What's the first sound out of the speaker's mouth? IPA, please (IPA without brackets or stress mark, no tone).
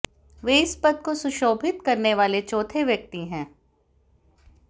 ʋ